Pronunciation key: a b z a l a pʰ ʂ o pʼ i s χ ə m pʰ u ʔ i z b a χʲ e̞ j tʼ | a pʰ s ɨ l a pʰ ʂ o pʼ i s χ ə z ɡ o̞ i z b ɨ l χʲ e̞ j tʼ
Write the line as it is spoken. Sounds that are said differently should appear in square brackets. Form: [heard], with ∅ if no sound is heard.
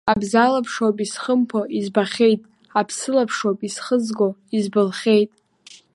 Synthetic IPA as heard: a b z a l a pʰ ʂ o pʼ i s χ ə m pʰ [o] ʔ i z b a χʲ e̞ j tʼ | a pʰ s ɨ l a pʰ ʂ o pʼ i s χ ə z ɡ o̞ i z b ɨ l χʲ e̞ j tʼ